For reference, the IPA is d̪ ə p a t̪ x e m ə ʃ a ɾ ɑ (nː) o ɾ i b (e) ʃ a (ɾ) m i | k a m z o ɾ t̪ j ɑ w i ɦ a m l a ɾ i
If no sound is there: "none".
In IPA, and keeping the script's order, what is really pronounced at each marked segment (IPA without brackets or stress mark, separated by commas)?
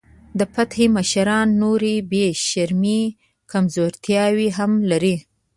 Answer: nː, e, ɾ